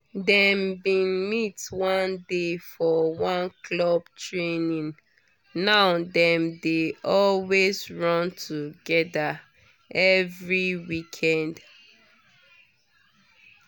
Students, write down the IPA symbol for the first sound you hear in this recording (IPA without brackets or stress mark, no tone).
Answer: d